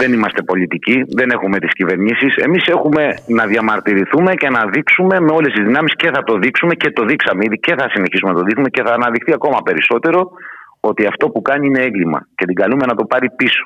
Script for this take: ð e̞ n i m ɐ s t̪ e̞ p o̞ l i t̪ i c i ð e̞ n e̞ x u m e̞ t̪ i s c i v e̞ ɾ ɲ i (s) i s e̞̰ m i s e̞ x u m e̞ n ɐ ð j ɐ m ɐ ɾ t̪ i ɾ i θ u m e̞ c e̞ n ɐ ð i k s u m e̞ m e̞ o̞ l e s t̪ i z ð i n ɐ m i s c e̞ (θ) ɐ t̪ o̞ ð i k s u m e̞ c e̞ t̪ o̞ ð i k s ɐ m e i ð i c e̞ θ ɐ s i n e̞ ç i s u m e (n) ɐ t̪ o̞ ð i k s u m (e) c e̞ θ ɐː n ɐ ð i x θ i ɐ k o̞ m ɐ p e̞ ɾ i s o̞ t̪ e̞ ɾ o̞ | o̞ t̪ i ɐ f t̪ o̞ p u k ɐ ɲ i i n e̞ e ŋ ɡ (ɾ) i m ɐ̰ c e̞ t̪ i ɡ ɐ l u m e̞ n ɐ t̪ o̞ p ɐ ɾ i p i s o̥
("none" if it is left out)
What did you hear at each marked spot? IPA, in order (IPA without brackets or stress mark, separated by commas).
s, θ, n, e, l